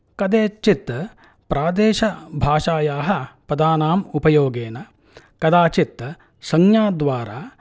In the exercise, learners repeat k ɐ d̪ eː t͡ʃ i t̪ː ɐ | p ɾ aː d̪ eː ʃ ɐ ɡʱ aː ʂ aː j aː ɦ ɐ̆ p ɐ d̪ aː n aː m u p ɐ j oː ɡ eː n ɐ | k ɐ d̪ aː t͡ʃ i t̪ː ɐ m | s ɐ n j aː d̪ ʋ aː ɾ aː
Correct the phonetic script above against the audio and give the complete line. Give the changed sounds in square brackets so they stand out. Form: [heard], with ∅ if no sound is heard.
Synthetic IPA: k ɐ d̪ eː t͡ʃ i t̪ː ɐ | p ɾ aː d̪ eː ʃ ɐ [bʱ] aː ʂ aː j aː ɦ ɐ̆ p ɐ d̪ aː n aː m u p ɐ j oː ɡ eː n ɐ | k ɐ d̪ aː t͡ʃ i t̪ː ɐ [∅] | s ɐ [ŋ] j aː d̪ ʋ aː ɾ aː

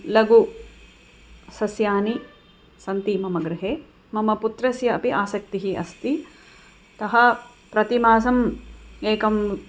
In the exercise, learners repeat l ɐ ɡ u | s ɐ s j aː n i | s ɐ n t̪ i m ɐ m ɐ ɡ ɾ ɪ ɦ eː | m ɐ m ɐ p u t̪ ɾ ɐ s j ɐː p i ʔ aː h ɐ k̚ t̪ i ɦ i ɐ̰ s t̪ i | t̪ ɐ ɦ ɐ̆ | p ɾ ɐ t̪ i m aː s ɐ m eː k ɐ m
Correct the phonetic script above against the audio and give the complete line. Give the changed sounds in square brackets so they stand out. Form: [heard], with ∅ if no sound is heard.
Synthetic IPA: l ɐ ɡ u | s ɐ s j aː n i | s ɐ n t̪ i m ɐ m ɐ ɡ ɾ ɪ ɦ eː | m ɐ m ɐ p u t̪ ɾ ɐ s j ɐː p i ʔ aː [s] ɐ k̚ t̪ i ɦ i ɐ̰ s t̪ i | t̪ ɐ ɦ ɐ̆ | p ɾ ɐ t̪ i m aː s ɐ m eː k ɐ m

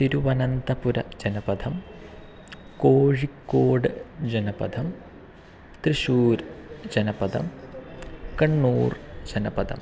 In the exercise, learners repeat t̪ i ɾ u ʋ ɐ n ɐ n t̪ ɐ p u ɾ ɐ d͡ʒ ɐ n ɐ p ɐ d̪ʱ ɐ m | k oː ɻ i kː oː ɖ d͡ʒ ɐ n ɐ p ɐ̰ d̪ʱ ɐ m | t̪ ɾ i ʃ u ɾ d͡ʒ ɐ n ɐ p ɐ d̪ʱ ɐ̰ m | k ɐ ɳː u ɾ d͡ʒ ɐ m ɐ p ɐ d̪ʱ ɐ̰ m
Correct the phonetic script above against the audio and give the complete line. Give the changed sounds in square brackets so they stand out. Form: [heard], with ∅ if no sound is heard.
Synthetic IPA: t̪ i ɾ u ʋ ɐ n ɐ n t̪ ɐ p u ɾ ɐ d͡ʒ ɐ n ɐ p ɐ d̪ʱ ɐ m | k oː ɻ i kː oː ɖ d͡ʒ ɐ n ɐ p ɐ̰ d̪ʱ ɐ m | t̪ ɾ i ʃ [uː] ɾ d͡ʒ ɐ n ɐ p ɐ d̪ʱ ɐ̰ m | k ɐ ɳː [uː] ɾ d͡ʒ ɐ [n] ɐ p ɐ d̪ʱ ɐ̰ m

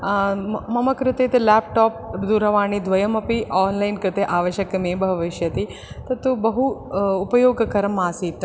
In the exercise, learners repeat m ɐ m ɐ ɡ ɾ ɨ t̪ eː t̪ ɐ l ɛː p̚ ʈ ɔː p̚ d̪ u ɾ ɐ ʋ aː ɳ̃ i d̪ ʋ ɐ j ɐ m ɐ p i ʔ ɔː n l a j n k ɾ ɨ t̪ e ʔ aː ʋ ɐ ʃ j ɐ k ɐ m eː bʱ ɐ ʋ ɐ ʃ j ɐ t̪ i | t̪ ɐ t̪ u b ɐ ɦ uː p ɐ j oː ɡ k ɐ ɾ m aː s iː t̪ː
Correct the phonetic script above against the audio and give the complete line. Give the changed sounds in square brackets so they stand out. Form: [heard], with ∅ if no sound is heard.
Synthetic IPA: m ɐ m ɐ [k] ɾ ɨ t̪ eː t̪ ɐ l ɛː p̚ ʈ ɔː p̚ d̪ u ɾ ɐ ʋ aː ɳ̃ i d̪ ʋ ɐ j ɐ m ɐ p i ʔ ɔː n l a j n k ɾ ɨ t̪ e ʔ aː ʋ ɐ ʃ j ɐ k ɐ m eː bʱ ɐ ʋ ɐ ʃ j ɐ t̪ i | t̪ ɐ t̪ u b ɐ ɦ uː p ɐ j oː ɡ k ɐ ɾ m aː s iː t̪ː

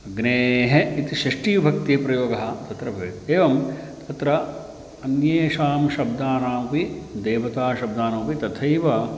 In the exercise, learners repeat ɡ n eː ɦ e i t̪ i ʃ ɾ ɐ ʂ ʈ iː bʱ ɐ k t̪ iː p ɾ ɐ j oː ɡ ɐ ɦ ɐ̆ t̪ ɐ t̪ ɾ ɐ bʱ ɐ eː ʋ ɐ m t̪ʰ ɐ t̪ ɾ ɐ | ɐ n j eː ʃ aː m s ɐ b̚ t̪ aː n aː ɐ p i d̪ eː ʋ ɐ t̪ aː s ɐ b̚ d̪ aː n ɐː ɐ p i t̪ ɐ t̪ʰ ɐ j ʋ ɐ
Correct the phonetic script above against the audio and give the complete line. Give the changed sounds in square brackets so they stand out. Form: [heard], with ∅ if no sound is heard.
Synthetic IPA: ɡ n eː ɦ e i t̪ i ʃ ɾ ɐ ʂ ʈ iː bʱ ɐ k t̪ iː p ɾ ɐ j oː ɡ ɐ ɦ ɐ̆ t̪ ɐ t̪ ɾ ɐ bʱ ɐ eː ʋ ɐ m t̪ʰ ɐ t̪ ɾ ɐ | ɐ n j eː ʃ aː m [ʃ] ɐ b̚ [d̪] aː n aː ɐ p i d̪ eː ʋ ɐ t̪ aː [ʃ] ɐ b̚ d̪ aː n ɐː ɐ p i t̪ ɐ t̪ʰ ɐ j ʋ ɐ

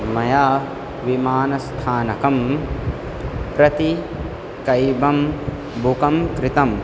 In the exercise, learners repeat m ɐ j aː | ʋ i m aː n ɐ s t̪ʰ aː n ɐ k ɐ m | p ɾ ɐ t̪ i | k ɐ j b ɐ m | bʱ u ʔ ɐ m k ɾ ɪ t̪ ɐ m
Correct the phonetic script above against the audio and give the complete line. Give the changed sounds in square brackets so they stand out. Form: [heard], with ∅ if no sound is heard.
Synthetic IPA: m ɐ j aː | ʋ i m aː n ɐ s t̪ʰ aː n ɐ k ɐ m | p ɾ ɐ t̪ i | k ɐ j b ɐ m | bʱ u [k] ɐ m k ɾ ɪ t̪ ɐ m

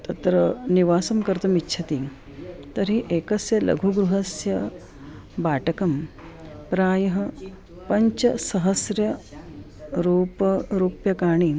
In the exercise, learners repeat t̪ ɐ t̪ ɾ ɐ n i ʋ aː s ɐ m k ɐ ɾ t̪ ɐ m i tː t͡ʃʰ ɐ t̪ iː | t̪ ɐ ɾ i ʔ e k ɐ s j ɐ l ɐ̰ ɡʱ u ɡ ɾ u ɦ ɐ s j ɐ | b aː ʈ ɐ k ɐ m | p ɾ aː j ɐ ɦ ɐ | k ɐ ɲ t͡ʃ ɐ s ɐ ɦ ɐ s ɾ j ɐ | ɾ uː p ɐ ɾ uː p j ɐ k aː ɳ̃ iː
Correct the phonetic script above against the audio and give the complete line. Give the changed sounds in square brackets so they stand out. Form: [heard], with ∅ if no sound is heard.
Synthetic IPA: t̪ ɐ t̪ ɾ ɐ n i ʋ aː s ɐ m k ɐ ɾ t̪ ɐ m i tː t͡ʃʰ ɐ t̪ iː | t̪ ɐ ɾ i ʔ e k ɐ s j ɐ l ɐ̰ ɡʱ u ɡ ɾ u ɦ ɐ s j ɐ | b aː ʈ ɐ k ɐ m | p ɾ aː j ɐ ɦ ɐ | [p] ɐ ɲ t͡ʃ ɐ s ɐ ɦ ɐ s ɾ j ɐ | ɾ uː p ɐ ɾ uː p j ɐ k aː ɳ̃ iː

